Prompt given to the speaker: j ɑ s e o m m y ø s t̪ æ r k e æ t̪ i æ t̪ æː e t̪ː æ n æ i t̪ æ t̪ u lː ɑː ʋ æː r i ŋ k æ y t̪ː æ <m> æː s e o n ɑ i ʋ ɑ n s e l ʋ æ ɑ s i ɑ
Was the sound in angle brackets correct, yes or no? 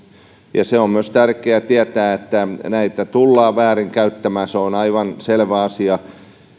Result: yes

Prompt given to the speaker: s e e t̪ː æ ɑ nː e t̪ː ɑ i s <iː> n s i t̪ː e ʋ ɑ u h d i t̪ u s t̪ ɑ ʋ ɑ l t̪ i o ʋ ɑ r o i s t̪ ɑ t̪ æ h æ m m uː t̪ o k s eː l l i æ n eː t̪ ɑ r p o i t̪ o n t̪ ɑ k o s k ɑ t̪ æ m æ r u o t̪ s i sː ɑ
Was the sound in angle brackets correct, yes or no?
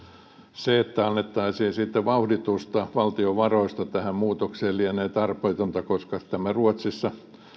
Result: yes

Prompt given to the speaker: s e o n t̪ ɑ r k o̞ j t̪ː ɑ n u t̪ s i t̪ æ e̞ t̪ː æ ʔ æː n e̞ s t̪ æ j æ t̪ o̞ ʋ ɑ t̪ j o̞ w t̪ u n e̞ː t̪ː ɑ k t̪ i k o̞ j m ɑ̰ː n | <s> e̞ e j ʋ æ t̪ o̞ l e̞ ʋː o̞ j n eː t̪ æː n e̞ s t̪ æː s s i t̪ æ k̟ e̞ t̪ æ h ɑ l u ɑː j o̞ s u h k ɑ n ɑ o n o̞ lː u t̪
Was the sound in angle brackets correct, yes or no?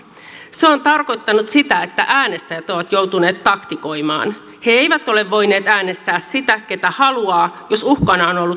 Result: no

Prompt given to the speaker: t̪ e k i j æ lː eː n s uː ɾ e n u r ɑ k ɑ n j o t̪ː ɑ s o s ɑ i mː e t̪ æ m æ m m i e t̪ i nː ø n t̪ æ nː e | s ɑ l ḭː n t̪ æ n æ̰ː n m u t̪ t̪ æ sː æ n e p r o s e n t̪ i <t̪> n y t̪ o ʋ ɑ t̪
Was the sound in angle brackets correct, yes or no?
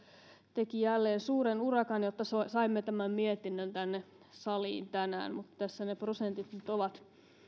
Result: yes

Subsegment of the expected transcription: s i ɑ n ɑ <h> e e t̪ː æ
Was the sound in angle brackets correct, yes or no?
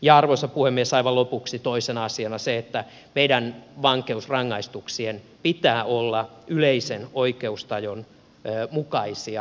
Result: no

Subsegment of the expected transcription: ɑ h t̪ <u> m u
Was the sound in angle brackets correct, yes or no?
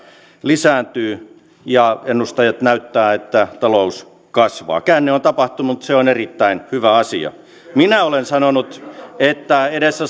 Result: yes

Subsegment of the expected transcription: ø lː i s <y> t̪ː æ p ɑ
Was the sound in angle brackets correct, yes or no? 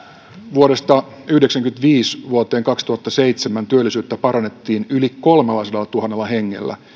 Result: no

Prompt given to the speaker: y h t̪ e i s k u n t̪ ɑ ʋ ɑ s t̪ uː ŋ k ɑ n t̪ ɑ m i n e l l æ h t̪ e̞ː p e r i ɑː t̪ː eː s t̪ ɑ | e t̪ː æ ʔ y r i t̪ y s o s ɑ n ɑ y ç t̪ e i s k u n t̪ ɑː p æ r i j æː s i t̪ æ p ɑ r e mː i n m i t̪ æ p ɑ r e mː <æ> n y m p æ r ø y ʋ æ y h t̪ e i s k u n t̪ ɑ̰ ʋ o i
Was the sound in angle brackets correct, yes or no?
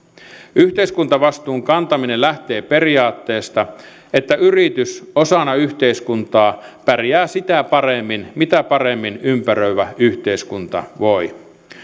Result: no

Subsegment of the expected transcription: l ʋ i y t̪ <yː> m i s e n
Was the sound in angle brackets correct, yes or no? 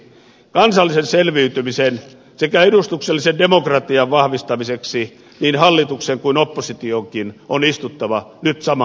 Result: no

